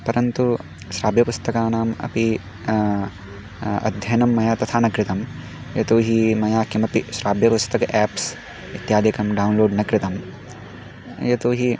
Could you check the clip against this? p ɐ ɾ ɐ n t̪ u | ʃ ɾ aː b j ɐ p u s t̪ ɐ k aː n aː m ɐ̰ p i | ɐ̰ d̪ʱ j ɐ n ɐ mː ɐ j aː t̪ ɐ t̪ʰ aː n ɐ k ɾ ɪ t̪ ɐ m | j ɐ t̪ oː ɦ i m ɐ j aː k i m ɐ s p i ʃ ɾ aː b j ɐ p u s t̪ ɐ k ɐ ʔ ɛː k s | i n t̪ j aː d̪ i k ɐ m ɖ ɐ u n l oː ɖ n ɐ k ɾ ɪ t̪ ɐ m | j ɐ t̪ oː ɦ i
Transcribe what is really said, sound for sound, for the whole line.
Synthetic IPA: p ɐ ɾ ɐ n t̪ u | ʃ ɾ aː b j ɐ p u s t̪ ɐ k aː n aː m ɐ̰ p i | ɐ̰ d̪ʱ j ɐ n ɐ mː ɐ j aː t̪ ɐ t̪ʰ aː n ɐ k ɾ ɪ t̪ ɐ m | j ɐ t̪ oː ɦ i m ɐ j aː k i m ɐ p i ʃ ɾ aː b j ɐ p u s t̪ ɐ k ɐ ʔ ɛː p s | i t̪ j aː d̪ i k ɐ m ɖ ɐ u n l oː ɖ n ɐ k ɾ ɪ t̪ ɐ m | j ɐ t̪ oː ɦ i